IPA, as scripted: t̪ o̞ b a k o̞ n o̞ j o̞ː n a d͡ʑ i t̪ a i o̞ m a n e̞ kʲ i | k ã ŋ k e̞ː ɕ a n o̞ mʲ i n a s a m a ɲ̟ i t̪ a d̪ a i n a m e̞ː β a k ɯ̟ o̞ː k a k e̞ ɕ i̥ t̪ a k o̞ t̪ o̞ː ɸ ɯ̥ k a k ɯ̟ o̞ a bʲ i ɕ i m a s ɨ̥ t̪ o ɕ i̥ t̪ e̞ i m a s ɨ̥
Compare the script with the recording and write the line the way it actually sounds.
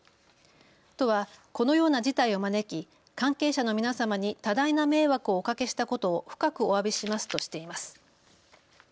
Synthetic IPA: t̪ o̞ β a k o̞ n o̞ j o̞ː n a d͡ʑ i t̪ a i o̞ m a n e̞ kʲ i | k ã ŋ k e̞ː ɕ a n o̞ mʲ i n a s a m a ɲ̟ i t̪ a d̪ a i n a m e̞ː β a k ɯ̟ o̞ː k a k e̞ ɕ i̥ t̪ a k o̞ t̪ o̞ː ɸ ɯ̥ k a k ɯ̟ o̞ a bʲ i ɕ i m a s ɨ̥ t̪ o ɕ i̥ t̪ e̞ i m a s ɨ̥